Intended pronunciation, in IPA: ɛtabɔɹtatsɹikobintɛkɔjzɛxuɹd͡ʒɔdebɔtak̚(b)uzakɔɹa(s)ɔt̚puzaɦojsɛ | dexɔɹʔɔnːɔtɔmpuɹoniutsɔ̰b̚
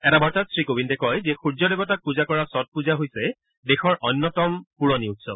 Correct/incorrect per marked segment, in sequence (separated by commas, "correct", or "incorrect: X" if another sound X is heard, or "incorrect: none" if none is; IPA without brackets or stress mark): incorrect: p, correct